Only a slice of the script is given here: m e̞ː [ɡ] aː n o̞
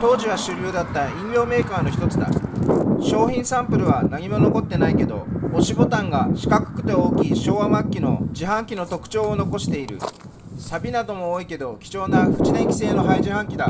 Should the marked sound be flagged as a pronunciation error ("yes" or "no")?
yes